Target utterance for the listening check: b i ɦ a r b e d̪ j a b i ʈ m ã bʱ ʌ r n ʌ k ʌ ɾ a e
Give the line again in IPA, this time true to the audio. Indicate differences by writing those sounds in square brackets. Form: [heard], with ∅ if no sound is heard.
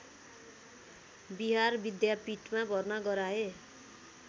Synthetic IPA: b i ɦ a r b [i] d̪ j a [p] i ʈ m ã bʱ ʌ r n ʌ [ɡ] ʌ ɾ a e